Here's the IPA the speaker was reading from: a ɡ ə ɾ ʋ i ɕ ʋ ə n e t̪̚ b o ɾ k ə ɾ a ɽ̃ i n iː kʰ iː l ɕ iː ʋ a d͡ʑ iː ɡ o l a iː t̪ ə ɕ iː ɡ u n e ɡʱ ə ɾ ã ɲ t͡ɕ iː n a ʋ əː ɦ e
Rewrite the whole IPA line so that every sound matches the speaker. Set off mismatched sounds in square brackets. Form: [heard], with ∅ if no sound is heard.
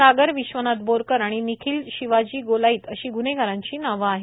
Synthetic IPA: a ɡ ə ɾ ʋ i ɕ ʋ ə n [a] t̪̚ b o ɾ k ə ɾ a ɽ̃ i n [i] kʰ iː l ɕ [i] ʋ a d͡ʑ iː ɡ o l a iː t̪ ə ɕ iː ɡ u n e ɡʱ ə ɾ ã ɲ t͡ɕ iː n a ʋ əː ɦ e